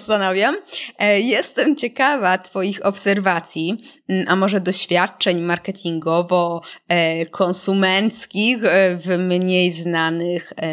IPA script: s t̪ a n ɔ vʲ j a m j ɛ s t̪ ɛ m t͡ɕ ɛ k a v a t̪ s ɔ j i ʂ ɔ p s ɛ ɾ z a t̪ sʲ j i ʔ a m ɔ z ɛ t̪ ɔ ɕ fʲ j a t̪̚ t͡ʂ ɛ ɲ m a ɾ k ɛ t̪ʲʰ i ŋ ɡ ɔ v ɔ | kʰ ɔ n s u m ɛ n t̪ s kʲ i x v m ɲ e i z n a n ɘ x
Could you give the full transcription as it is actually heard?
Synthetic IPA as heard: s t̪ a n ɔ vʲ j a m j ɛ s t̪ ɛ m t͡ɕ ɛ k a v a t̪ f ɔ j i x ɔ p s ɛ ɾ v a t̪ sʲ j i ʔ a m ɔ ʐ ɛ d̪ ɔ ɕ fʲ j a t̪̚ t͡ʂ ɛ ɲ m a ɾ k ɛ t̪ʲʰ i ŋ ɡ ɔ v ɔ | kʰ ɔ n s u m ɛ n t̪ s kʲ i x v m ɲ e j z n a n ɘ x